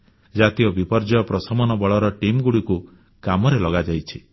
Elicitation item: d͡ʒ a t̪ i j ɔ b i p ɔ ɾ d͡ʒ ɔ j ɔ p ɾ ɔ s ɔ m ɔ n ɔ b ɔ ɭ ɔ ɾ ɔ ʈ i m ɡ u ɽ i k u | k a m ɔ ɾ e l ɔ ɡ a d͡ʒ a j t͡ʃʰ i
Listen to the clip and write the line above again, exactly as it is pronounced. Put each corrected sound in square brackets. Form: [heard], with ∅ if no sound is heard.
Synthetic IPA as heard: d͡ʒ a t̪ i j ɔ b i p ɔ ɾ d͡ʒ ɔ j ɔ p ɾ ɔ s ɔ m ɔ n ɔ b ɔ ɭ ɔ ɾ ɔ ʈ i m ɡ u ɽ i k u | k a m ɔ ɾ e l ɔ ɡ a d͡ʒ a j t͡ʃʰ i